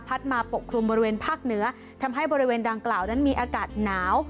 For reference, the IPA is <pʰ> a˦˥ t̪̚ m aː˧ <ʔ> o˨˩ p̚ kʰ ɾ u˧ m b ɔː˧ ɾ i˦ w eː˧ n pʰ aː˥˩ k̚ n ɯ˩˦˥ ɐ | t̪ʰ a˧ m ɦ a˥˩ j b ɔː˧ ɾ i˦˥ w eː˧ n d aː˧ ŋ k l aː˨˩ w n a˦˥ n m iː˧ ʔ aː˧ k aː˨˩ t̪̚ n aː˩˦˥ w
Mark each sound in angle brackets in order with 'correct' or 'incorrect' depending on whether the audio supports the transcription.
correct, incorrect

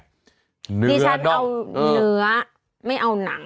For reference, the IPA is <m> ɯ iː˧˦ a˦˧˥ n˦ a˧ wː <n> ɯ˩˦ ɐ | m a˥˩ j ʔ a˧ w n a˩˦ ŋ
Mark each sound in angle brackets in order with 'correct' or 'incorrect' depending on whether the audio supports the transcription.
incorrect, correct

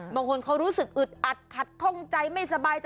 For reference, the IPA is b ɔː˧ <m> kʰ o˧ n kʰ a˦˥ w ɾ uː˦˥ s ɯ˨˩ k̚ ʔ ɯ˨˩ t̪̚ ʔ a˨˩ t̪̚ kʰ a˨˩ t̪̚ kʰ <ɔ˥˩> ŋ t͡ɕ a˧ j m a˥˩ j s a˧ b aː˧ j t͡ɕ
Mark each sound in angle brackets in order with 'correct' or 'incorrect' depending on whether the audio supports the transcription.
incorrect, correct

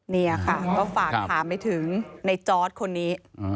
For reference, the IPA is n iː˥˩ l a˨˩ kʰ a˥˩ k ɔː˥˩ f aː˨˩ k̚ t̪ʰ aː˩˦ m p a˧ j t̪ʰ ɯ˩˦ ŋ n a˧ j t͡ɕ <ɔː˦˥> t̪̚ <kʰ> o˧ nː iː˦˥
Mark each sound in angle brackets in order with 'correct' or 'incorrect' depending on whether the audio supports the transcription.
correct, correct

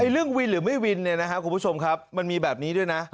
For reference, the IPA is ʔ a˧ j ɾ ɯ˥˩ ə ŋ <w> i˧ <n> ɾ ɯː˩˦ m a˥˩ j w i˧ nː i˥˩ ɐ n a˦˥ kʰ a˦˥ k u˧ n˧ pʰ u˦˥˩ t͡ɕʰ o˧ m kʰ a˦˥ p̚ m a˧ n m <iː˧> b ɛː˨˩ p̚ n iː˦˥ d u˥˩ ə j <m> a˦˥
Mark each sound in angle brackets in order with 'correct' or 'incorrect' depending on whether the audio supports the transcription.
correct, correct, correct, incorrect

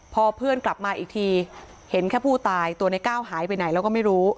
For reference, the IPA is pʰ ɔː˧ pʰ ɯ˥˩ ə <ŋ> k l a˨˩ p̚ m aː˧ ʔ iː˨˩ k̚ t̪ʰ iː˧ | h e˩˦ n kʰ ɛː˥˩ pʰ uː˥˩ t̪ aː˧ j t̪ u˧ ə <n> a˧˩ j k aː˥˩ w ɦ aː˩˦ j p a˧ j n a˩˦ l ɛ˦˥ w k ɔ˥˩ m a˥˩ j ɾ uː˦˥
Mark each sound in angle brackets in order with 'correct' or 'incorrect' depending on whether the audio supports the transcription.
incorrect, correct

